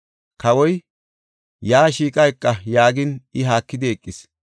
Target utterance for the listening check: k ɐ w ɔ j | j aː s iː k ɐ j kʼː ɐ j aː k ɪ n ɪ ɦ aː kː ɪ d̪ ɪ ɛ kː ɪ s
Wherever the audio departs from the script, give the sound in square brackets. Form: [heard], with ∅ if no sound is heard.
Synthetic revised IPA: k ɐ w ɔ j | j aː [ʃ] iː [kʼ] ɐ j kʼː ɐ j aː [ɡ] ɪ n ɪ ɦ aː kː ɪ d̪ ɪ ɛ [kʼː] ɪ s